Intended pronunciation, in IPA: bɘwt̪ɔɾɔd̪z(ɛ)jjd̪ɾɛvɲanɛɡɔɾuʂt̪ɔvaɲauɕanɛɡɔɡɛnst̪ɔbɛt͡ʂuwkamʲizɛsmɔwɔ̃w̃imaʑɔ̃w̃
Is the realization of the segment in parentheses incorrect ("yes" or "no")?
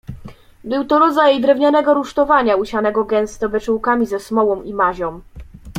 yes